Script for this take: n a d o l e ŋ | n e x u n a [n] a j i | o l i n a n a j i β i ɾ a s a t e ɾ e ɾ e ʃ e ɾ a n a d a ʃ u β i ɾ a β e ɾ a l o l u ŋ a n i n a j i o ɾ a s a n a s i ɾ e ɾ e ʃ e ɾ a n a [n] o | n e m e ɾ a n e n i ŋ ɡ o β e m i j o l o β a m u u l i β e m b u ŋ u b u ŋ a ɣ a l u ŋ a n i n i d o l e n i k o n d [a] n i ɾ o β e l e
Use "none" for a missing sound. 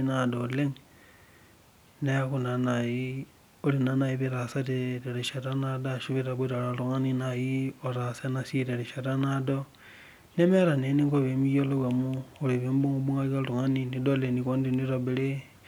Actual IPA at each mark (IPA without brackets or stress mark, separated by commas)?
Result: n, d, i